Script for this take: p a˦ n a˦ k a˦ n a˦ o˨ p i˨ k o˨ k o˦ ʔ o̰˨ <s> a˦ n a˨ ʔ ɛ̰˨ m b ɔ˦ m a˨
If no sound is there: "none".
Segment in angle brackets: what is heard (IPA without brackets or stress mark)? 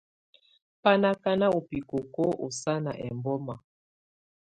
s